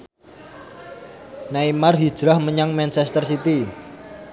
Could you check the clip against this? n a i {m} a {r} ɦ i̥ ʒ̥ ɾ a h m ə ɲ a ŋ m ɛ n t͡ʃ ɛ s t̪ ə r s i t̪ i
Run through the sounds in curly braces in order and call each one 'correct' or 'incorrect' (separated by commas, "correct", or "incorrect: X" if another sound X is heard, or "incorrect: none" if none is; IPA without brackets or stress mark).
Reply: correct, correct